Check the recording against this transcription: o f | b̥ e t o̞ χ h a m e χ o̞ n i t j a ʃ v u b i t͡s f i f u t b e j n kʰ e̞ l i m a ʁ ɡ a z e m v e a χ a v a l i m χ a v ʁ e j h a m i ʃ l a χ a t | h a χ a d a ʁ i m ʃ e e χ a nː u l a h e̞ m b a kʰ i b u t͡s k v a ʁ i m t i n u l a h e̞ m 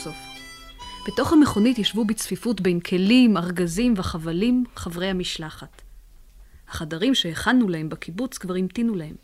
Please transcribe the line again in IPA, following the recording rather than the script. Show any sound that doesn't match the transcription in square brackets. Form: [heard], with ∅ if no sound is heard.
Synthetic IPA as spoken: o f | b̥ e t o̞ χ h a m e χ o̞ n i t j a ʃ v u b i t͡s f i f u t b e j n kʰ e̞ l i m a ʁ ɡ a z [i] m v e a χ a v a l i m χ a v ʁ e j h a m i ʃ l a χ a t | h a χ a d a ʁ i m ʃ e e χ a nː u l a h e̞ m b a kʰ i b u t͡s k v a ʁ i m t i n u l a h e̞ m